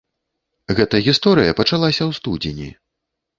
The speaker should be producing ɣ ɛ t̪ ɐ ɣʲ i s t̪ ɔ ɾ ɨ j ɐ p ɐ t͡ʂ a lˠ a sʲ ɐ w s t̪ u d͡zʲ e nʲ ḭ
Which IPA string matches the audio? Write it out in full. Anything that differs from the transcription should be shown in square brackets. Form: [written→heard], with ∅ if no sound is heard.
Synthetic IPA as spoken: ɣ ɛ t̪ ɐ ɣʲ i s t̪ ɔ ɾ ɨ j ɐ p ɐ t͡ʂ a lˠ a sʲ ɐ w s t̪ u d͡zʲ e nʲ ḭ